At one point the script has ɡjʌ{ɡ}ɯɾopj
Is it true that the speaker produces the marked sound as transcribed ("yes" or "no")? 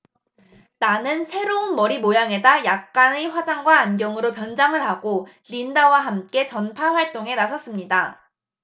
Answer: no